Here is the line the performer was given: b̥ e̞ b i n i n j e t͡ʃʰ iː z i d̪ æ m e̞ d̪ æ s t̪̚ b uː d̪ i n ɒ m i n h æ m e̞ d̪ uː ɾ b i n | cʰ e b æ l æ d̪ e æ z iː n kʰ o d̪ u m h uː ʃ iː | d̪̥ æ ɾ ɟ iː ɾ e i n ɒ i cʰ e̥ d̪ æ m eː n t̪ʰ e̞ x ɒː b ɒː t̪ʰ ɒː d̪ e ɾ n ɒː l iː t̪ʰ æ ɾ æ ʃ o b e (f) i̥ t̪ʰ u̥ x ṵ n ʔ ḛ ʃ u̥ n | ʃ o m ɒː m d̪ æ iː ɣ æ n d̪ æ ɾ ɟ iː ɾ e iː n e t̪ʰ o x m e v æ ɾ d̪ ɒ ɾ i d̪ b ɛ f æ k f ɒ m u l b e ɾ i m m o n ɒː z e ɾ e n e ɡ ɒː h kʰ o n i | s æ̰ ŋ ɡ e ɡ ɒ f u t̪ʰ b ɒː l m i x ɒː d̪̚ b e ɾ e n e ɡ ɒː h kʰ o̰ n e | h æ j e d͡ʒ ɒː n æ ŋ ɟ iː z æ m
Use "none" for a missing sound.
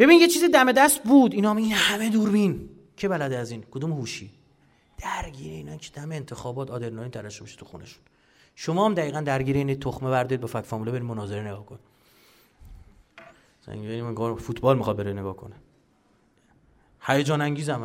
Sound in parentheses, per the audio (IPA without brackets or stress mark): ʃ